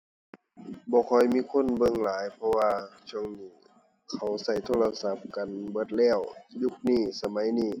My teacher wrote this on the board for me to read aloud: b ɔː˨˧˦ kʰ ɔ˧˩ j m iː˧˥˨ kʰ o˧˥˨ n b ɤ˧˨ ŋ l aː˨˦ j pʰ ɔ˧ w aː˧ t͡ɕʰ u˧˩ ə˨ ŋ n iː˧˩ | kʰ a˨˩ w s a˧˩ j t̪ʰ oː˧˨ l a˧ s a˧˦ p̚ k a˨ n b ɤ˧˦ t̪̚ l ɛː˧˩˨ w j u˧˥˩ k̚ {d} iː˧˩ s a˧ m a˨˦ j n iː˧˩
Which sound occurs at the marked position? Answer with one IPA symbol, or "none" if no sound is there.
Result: n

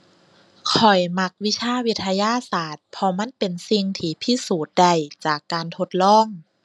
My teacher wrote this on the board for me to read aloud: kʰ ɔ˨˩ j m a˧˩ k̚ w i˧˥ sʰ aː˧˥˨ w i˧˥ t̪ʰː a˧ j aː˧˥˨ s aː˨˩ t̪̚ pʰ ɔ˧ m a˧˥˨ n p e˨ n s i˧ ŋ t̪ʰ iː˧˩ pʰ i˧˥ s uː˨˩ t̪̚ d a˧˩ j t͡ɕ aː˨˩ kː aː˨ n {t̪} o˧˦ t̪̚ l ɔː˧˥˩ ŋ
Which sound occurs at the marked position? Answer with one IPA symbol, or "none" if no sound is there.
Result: t̪ʰ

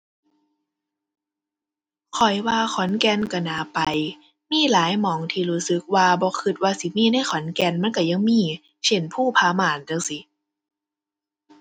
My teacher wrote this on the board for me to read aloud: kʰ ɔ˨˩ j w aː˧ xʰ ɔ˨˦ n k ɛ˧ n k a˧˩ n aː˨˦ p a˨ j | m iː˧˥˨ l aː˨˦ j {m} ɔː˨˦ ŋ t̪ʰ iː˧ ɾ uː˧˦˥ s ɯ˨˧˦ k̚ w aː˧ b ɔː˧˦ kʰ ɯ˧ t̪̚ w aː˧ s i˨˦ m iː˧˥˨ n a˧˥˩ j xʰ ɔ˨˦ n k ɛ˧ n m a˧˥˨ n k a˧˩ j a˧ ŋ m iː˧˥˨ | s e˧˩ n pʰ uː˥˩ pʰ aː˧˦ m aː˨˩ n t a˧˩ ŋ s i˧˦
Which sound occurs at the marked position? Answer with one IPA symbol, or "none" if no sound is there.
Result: m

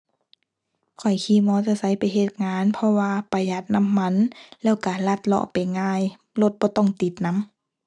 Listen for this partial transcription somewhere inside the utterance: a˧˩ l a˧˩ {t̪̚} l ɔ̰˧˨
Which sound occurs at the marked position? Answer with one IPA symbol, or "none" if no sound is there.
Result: t̪̚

